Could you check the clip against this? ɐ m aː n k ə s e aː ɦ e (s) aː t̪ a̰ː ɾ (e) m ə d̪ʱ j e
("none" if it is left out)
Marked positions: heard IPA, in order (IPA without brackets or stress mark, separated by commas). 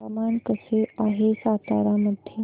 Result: s, a